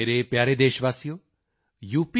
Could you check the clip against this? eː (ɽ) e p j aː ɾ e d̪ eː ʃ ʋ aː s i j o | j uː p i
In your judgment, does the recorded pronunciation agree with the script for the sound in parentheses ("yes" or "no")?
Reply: no